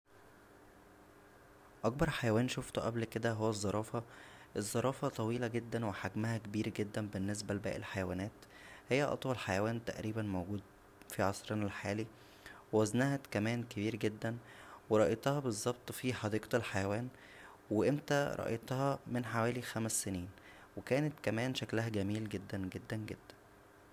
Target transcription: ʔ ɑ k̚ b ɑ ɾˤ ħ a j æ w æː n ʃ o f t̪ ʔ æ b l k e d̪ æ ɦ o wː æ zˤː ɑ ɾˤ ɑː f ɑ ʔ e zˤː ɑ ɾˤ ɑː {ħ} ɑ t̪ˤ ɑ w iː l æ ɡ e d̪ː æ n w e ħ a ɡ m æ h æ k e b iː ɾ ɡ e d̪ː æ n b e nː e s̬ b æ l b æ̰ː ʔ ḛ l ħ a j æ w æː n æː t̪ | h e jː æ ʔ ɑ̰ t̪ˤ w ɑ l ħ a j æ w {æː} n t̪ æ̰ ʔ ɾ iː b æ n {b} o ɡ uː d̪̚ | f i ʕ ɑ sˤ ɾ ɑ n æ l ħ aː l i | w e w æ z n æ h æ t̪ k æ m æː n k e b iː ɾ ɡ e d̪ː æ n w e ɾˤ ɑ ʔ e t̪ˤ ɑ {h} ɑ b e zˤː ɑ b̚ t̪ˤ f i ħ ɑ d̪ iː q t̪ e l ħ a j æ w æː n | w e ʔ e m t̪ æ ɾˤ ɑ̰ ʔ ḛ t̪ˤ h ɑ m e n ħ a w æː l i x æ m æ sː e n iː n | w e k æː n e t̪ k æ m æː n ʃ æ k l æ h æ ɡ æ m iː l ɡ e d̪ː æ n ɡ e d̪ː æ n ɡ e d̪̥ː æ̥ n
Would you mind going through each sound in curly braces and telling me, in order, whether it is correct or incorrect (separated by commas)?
incorrect, correct, incorrect, correct